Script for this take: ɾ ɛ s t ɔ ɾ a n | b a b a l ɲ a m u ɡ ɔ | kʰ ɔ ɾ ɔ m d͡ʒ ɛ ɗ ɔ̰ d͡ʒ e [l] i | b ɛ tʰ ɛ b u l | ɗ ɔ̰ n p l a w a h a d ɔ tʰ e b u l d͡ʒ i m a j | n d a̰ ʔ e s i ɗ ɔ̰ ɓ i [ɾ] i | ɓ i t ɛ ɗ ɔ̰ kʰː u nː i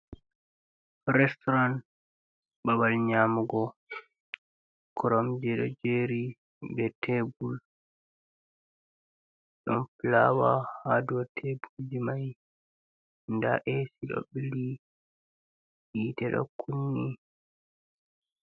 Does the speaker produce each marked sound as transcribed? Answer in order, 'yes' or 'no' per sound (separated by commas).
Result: no, no